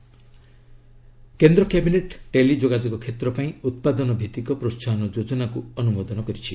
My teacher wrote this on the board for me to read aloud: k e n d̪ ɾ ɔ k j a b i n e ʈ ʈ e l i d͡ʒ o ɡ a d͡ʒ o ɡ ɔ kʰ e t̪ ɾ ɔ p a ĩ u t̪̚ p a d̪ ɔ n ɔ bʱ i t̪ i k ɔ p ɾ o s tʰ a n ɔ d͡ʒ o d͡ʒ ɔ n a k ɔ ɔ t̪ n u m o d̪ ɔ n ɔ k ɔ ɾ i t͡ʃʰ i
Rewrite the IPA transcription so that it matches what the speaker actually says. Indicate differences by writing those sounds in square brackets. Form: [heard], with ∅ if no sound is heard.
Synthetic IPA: k e n d̪ ɾ ɔ k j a b i n e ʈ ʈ e l i d͡ʒ o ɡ a d͡ʒ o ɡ ɔ kʰ e t̪ ɾ ɔ p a ĩ u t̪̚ p a d̪ ɔ n ɔ bʱ i t̪ i k ɔ p ɾ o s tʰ a n ɔ d͡ʒ o d͡ʒ ɔ n a k [u] ɔ [∅] n u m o d̪ ɔ n ɔ k ɔ ɾ i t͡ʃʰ i